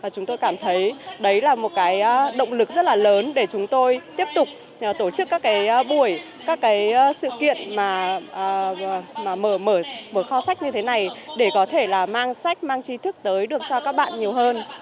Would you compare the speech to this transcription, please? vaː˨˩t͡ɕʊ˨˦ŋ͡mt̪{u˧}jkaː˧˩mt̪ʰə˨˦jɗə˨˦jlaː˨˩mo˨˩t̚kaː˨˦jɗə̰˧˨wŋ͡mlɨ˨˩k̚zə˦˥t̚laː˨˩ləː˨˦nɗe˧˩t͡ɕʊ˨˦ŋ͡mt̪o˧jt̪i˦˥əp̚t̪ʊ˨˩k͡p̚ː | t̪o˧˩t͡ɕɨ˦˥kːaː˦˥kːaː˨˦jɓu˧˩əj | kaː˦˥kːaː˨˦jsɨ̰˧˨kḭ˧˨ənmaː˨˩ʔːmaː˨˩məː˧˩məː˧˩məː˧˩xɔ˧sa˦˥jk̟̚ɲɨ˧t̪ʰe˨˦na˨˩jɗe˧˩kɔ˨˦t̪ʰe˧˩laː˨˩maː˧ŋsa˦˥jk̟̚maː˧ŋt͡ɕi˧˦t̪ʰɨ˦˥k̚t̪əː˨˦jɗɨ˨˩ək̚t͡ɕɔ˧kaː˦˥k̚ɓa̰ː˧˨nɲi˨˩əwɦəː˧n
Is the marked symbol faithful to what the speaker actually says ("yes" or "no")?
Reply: no